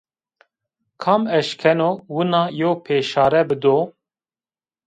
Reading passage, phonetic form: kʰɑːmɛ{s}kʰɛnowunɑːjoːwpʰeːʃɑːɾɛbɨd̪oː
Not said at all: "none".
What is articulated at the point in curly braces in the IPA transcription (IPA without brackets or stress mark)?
ʃ